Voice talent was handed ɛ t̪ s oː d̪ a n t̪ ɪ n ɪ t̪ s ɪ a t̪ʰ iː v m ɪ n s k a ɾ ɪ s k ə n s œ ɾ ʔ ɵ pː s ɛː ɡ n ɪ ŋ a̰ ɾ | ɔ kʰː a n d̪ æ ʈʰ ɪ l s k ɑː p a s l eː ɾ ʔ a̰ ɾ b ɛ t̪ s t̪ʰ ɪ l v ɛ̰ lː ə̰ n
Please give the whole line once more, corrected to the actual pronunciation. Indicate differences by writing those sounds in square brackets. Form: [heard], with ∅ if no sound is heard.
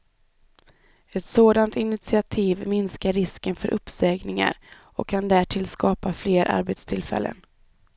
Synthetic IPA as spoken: ɛ t̪ s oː d̪ a n t̪ ɪ n ɪ t̪ s ɪ a t̪ʰ iː v m ɪ n s k a ɾ ɪ s k ə n [f] œ ɾ ʔ ɵ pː s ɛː ɡ n ɪ ŋ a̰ ɾ | ɔ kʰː a n d̪ æ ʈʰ ɪ l s k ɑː p a [f] l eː ɾ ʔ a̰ ɾ b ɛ t̪ s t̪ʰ ɪ l [f] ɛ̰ lː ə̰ n

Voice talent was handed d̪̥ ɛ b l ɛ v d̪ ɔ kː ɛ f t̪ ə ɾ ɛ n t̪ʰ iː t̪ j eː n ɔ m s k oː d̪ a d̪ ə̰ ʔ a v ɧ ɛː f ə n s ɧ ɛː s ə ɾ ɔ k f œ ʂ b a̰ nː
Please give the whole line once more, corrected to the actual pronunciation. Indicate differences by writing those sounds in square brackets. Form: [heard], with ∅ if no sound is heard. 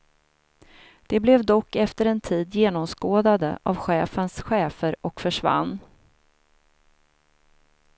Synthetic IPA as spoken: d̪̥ ɛ b l ɛ v d̪ ɔ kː ɛ f t̪ ə ɾ ɛ n t̪ʰ iː [d̪] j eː n ɔ m s k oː d̪ a d̪ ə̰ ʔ a v ɧ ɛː f ə n s ɧ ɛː [f] ə ɾ ɔ k f œ ʂ [v] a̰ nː

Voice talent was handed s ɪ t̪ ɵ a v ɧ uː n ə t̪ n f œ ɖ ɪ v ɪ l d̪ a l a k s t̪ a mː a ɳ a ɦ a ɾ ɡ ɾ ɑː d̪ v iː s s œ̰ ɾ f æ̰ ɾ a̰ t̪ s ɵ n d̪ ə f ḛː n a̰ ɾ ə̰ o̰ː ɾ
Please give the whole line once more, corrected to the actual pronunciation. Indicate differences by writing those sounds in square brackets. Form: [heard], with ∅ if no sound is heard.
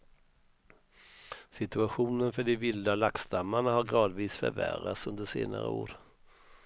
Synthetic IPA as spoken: s ɪ t̪ ɵ a [∅] ɧ uː n ə [∅] n f œ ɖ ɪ v ɪ l d̪ a l a k s t̪ a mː a ɳ a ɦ a ɾ ɡ ɾ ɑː d̪ v iː s [f] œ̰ ɾ [v] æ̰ ɾ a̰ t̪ s ɵ n d̪ ə [ʂ] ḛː n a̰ ɾ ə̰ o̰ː ɾ

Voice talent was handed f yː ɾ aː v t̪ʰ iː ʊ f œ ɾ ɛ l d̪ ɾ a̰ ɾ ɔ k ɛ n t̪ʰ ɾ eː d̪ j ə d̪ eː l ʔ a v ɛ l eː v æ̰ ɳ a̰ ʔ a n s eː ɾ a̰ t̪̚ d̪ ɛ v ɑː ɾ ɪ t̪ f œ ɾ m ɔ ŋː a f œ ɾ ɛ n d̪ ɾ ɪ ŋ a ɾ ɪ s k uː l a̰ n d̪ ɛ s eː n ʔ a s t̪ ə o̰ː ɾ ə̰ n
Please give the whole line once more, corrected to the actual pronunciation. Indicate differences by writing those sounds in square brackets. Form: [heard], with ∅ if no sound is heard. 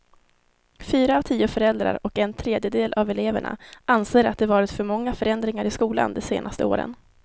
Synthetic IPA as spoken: f yː ɾ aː v t̪ʰ iː ʊ f œ ɾ ɛ l d̪ ɾ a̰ ɾ ɔ k ɛ n t̪ʰ ɾ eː d̪ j ə d̪ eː l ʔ a v ɛ l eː v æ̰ ɳ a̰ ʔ a n s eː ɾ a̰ t̪̚ d̪ ɛ v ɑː ɾ ɪ t̪ f œ ɾ m ɔ ŋː a f œ ɾ ɛ n d̪ ɾ ɪ ŋ a ɾ ɪ s k uː l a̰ n d̪ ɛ s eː n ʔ a s t̪ ə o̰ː ɾ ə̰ n

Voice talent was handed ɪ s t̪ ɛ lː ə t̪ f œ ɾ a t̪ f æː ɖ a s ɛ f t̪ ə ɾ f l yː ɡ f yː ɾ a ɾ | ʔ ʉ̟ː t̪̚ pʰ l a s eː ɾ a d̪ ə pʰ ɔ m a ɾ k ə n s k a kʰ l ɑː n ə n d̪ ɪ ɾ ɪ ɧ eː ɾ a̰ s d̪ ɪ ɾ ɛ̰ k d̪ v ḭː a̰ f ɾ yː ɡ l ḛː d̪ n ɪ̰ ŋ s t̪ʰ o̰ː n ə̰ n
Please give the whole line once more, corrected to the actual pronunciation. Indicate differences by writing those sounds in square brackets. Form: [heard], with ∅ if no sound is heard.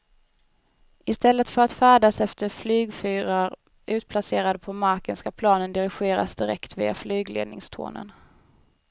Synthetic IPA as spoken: ɪ s t̪ ɛ lː ə t̪ f œ ɾ a t̪ f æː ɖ a s ɛ f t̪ ə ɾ f l yː ɡ f yː ɾ a ɾ | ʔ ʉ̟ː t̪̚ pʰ l a s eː ɾ a d̪ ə pʰ ɔ m a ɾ k ə n s k a [pʰ] l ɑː n ə n d̪ ɪ ɾ ɪ ɧ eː ɾ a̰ s d̪ ɪ ɾ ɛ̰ k [t̪] v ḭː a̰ f [l] yː ɡ l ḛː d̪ n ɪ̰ ŋ s t̪ʰ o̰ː n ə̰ n

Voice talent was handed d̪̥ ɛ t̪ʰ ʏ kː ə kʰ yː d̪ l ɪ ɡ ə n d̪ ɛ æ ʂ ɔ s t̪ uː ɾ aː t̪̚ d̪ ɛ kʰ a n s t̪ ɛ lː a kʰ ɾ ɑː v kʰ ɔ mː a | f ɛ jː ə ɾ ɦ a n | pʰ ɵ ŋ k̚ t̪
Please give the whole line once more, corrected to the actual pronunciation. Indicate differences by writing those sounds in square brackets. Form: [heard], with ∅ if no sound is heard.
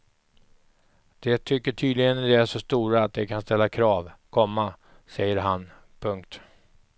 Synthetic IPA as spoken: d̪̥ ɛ t̪ʰ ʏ kː ə [ʈʰ] yː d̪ l ɪ ɡ ə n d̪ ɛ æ ʂ ɔ s t̪ uː ɾ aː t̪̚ d̪ ɛ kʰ a n s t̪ ɛ lː a kʰ ɾ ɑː v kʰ ɔ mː a | [s] ɛ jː ə ɾ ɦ a n | pʰ ɵ ŋ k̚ t̪

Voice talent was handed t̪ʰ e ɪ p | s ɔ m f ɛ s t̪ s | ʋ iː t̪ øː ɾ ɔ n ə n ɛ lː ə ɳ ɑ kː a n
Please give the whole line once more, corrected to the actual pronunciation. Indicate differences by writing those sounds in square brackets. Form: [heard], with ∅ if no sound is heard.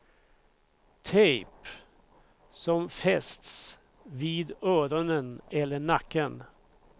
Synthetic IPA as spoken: t̪ʰ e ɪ p | s ɔ m f ɛ s t̪ s | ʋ iː [d̪] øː ɾ ɔ n ə n ɛ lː ə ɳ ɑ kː [ə] n

